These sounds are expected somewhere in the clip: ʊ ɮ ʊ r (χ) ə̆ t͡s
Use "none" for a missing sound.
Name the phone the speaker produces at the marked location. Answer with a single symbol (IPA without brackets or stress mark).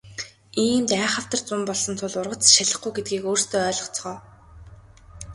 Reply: ʁ